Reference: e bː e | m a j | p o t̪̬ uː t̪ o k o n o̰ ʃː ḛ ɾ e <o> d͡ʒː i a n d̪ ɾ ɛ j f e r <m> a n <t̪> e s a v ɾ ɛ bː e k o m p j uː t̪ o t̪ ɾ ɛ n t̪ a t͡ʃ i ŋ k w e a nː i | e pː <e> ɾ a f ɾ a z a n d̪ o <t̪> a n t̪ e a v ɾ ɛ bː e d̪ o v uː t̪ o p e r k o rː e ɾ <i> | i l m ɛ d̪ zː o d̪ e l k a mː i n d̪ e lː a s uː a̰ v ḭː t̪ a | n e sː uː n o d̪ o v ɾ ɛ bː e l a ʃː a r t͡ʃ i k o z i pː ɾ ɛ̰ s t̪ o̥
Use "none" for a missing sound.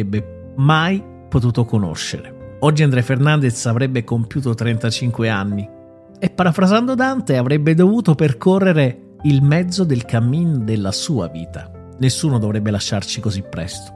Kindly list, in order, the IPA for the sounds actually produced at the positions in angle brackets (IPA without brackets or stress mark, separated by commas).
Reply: ɔ, n, d̪, a, d̪, e